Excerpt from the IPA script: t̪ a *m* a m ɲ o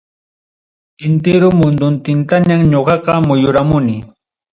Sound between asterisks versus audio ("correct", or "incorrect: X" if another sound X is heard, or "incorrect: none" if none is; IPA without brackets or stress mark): incorrect: ɲ